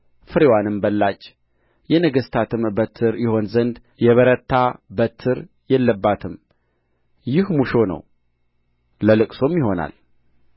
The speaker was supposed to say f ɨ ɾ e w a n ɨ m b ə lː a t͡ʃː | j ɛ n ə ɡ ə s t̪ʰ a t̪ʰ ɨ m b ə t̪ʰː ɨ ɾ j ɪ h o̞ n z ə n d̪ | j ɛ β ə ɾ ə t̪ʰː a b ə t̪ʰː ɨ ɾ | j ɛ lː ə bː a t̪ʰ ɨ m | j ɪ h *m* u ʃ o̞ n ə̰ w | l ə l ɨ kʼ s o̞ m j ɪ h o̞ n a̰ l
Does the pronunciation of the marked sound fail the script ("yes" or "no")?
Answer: no